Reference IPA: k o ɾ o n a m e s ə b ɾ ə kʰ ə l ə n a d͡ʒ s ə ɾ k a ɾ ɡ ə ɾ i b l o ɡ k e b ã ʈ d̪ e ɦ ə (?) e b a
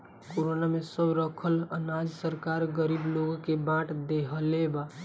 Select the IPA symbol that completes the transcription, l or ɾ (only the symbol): l